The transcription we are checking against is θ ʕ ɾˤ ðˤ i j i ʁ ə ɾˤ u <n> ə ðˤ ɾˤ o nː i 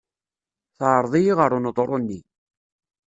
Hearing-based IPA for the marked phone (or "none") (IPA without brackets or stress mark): n